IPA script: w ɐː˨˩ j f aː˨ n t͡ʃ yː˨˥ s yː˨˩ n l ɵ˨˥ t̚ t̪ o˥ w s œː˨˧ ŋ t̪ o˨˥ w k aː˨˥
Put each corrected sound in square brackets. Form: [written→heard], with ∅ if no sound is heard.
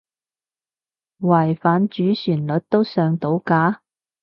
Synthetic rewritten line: w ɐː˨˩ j f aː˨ n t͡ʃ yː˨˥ s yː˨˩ n l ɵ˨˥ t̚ t̪ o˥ w s œː˨˧ ŋ t̪ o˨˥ w k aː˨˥